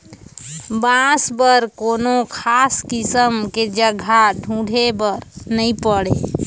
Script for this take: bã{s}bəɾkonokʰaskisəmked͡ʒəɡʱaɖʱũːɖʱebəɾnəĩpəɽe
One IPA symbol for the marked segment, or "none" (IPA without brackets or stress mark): s